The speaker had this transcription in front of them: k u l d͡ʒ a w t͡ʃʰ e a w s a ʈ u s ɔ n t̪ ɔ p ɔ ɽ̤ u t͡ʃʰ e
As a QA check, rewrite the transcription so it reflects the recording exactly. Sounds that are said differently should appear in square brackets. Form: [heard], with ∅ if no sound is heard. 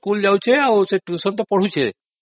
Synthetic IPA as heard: k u l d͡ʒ a w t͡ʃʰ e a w s [e] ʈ u s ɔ n t̪ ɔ p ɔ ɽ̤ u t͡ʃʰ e